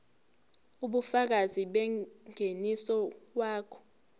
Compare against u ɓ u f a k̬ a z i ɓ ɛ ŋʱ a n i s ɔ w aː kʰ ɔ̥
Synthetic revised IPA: u ɓ u f a k̬ a z i ɓ ɛ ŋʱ e n i s ɔ w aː kʰ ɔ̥